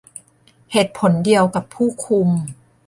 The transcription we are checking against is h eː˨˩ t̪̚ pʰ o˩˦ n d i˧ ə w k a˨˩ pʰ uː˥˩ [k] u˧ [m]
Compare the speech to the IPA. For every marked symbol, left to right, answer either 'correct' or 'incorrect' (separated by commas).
incorrect, correct